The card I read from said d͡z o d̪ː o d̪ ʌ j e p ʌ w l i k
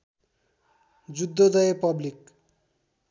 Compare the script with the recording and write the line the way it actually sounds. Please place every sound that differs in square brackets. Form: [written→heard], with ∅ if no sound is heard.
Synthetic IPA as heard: d͡z [o→u] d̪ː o d̪ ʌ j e p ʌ [w→b] l i k